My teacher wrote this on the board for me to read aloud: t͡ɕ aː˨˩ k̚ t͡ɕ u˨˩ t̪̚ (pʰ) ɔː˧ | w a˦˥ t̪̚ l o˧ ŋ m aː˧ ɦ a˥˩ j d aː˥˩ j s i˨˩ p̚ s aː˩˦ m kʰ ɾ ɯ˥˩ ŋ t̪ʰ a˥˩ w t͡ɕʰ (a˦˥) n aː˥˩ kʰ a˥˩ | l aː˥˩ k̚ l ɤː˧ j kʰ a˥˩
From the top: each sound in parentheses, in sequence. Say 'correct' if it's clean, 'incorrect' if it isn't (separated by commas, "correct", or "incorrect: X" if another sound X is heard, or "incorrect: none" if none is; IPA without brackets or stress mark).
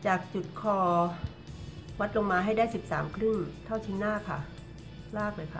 incorrect: kʰ, incorrect: i˦˥